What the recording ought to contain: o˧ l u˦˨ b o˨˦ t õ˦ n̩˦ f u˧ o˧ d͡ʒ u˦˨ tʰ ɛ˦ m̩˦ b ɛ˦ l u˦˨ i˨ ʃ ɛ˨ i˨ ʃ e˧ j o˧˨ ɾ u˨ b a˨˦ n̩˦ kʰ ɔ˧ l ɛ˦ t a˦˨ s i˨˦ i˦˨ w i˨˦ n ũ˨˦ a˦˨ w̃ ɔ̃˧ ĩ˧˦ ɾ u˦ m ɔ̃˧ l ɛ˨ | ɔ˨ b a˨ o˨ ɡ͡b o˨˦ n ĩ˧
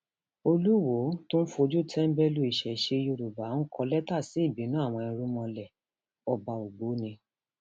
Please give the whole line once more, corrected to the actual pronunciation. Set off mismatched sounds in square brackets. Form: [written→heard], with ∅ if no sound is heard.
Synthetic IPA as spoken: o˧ l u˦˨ [b→w] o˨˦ t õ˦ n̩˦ f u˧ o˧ d͡ʒ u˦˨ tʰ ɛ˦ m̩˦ b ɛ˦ l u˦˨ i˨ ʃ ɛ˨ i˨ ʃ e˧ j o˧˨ ɾ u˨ b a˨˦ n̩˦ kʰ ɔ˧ l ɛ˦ t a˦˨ s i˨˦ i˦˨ [w→b] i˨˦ n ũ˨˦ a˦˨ w̃ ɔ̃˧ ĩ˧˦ ɾ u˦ m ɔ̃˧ l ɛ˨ | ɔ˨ b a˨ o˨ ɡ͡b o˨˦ n ĩ˧